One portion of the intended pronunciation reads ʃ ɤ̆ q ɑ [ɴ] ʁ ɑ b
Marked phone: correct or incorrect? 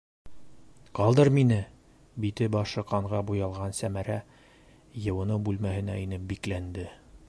correct